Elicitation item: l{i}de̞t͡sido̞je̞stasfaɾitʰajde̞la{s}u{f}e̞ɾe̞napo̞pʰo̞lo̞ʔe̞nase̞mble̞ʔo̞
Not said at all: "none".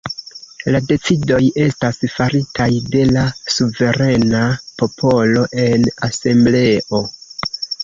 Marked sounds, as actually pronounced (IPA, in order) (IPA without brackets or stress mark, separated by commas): a, s, v